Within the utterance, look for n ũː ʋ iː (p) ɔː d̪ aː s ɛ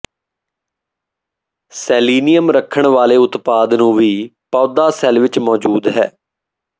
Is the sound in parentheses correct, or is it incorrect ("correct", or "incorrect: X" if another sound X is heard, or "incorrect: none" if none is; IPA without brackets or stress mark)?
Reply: correct